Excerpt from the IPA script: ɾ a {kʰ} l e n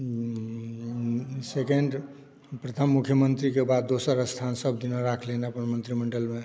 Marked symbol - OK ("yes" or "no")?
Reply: yes